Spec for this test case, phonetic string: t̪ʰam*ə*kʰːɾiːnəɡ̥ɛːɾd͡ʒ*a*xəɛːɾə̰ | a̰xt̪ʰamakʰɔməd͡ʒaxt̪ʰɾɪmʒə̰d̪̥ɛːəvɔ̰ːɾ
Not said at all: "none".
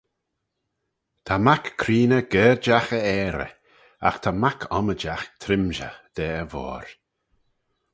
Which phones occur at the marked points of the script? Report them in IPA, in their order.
a, a

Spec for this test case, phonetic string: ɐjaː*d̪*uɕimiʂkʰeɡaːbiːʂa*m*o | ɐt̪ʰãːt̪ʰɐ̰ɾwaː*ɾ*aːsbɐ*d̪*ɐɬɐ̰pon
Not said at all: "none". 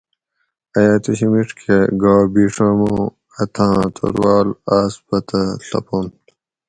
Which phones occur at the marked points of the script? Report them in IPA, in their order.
t̪, m, l, t̪

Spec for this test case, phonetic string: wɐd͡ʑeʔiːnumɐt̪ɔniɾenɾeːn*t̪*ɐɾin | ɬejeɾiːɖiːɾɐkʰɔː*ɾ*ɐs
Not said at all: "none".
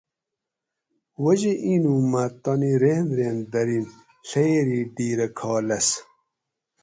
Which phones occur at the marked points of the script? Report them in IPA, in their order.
d̪, l

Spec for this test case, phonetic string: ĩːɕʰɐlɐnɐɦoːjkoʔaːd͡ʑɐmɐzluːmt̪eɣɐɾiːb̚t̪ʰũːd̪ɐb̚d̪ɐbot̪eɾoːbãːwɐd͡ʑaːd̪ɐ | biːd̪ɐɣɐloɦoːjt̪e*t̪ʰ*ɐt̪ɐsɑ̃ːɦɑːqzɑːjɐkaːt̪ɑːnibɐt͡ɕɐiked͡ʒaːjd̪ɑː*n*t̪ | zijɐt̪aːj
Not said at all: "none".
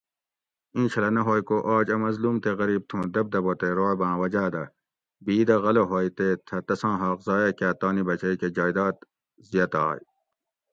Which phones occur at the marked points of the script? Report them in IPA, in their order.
t̪ʰ, none

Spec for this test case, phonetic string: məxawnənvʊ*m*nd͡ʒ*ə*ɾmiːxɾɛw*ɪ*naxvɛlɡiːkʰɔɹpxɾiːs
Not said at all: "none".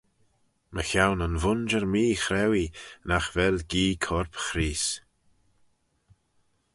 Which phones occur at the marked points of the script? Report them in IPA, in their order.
none, ə, i

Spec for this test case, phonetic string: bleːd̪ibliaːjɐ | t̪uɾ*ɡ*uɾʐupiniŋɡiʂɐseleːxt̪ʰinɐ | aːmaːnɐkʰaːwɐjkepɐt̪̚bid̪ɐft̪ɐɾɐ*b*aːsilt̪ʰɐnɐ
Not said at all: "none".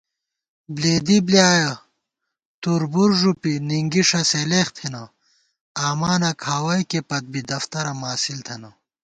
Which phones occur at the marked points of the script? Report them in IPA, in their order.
b, m

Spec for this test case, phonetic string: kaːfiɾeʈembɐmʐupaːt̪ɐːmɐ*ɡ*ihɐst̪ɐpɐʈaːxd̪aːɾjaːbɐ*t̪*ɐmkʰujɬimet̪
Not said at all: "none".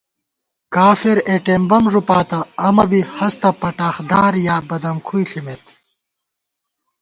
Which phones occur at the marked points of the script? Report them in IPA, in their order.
b, d̪

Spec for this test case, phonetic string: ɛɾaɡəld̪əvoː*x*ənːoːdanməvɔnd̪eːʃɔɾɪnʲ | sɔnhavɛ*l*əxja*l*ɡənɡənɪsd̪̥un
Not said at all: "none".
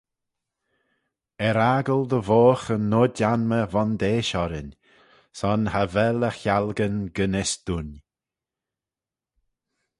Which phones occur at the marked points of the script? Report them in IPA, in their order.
x, l, l

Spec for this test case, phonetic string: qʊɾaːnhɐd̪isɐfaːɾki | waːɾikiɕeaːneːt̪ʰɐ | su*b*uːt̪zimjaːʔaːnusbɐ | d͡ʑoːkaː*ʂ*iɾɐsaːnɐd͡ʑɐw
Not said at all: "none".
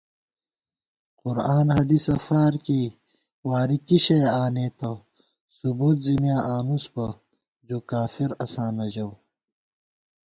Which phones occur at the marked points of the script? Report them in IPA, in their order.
b, f

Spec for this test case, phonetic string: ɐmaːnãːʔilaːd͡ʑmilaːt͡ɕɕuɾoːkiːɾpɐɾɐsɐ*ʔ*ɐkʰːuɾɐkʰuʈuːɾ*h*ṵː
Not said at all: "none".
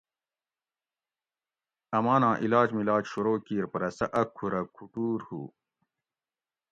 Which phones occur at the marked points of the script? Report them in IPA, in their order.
ʔ, h

